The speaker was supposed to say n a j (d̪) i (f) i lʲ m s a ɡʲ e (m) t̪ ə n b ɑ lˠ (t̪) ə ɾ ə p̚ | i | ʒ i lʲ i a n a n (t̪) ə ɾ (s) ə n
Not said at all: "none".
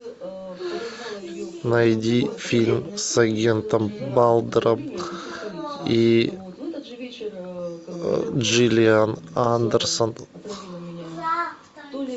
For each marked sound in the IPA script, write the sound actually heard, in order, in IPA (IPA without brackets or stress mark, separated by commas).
d̪, f, n, d̪, d̪, s